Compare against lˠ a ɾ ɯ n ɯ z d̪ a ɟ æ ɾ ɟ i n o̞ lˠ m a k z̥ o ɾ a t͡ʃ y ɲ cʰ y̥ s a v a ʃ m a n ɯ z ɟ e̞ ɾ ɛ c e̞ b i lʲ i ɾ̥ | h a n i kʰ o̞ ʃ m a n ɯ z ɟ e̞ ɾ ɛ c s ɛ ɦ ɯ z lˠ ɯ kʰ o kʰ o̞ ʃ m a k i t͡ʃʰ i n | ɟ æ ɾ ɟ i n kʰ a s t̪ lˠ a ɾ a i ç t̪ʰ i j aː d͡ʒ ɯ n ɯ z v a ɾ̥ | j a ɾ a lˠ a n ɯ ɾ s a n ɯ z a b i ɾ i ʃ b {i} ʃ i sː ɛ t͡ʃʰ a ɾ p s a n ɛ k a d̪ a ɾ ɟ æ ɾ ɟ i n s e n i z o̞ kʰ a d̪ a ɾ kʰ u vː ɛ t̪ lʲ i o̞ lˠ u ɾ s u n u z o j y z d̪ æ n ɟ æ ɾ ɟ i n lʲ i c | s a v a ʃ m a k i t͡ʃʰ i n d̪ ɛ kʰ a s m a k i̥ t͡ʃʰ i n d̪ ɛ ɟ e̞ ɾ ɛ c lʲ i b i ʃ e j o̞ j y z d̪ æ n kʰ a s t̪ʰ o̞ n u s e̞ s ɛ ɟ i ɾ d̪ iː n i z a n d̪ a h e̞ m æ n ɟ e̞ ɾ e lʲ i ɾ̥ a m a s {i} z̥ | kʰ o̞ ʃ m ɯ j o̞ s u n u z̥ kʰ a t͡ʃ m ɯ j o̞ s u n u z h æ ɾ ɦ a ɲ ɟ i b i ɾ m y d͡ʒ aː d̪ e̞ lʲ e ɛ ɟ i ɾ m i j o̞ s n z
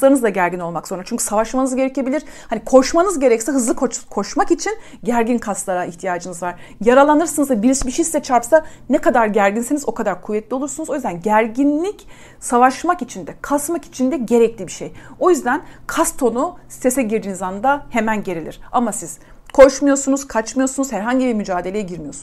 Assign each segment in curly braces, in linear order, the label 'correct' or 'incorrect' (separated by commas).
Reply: correct, correct